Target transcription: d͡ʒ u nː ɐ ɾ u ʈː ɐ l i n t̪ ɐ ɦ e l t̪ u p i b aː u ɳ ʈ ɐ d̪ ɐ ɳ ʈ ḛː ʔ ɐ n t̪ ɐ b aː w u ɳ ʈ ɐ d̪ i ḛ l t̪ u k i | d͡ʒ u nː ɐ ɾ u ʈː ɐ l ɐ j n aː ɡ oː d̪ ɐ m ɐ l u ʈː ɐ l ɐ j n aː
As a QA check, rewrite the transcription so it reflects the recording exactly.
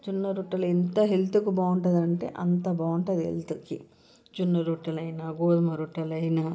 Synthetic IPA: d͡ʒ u nː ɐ ɾ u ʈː ɐ l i n t̪ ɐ ɦ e l t̪ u k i b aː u ɳ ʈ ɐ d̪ ɐ ɳ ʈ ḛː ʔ ɐ n t̪ ɐ b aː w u ɳ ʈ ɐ d̪ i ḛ l t̪ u k i | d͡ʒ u nː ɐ ɾ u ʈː ɐ l ɐ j n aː ɡ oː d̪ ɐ m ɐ ɾ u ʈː ɐ l ɐ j n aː